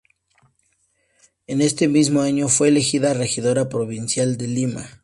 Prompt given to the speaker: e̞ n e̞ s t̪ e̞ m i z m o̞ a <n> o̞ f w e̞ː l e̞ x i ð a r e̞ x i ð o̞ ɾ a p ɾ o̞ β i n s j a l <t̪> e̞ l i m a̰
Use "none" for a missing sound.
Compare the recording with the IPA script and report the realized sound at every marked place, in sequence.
ɲ, d̪

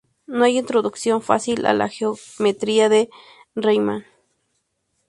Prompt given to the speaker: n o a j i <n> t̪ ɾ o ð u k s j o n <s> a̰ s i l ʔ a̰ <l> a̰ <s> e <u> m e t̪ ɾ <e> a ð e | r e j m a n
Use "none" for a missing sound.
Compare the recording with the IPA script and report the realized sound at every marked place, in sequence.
n, f, l, x, o, i

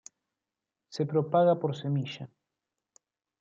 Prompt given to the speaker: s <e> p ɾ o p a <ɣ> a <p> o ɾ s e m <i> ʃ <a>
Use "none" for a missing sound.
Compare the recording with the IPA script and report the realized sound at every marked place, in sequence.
e, ɣ, p, i, a

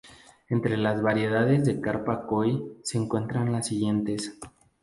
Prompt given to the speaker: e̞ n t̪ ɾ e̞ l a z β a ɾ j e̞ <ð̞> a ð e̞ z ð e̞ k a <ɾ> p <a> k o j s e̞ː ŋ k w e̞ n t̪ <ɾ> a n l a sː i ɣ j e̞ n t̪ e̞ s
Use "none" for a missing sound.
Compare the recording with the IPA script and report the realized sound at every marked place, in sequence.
ð̞, ɾ, a, ɾ

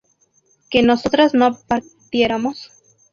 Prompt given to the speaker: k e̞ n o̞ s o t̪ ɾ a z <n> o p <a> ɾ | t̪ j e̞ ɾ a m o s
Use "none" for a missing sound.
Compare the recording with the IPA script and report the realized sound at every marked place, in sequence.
n, a

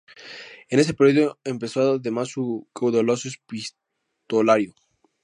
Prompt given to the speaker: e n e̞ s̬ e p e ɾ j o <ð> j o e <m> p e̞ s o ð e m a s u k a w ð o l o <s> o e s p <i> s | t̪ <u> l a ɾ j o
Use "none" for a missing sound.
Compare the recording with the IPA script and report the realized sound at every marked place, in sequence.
ð, m, s, i, o

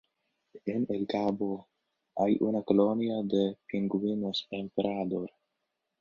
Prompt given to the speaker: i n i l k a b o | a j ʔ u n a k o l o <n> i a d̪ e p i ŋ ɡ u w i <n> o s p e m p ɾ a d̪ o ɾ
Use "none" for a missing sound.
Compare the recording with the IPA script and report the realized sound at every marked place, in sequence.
n, n

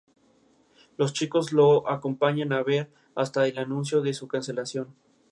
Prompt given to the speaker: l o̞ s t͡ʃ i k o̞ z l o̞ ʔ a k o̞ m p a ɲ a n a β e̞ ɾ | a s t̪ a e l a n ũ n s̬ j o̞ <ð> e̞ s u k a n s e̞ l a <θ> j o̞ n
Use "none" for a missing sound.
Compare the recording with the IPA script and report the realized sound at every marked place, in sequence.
ð, s

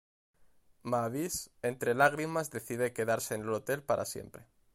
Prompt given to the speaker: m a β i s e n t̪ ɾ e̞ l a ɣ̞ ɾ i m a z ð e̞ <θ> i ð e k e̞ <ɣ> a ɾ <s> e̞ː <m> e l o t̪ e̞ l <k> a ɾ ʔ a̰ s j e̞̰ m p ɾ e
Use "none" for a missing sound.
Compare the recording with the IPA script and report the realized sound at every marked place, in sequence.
θ, ð, s, n, p

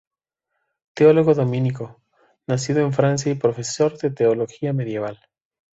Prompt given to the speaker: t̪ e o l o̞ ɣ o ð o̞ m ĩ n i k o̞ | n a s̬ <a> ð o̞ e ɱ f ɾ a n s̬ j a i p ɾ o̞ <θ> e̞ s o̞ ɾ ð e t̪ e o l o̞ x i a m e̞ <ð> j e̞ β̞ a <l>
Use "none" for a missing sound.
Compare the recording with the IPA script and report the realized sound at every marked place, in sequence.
i, f, ð, l

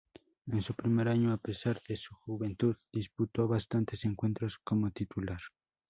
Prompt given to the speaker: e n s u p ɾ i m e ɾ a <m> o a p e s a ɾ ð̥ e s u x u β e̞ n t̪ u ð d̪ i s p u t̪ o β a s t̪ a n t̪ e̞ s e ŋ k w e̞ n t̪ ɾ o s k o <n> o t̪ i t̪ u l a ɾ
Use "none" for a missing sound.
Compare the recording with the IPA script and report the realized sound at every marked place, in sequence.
ɲ, m

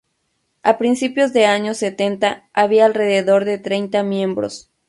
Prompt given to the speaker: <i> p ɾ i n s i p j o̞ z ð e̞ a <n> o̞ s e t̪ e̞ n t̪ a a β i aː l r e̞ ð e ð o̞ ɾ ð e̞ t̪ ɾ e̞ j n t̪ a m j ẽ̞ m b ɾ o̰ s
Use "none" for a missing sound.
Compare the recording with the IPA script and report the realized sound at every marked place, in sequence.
a, ɲ

